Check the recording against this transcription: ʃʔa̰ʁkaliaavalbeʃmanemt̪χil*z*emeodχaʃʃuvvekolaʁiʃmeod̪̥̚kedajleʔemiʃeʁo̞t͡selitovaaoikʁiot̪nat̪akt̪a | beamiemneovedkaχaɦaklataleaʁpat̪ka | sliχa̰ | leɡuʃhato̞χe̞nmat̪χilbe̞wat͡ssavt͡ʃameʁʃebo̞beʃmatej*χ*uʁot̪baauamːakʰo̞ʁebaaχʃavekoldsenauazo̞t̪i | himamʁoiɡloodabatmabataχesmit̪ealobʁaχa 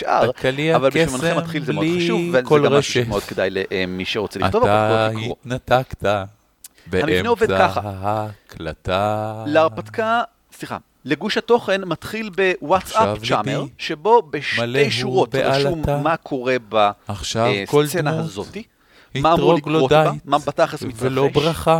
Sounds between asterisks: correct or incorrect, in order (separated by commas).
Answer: correct, incorrect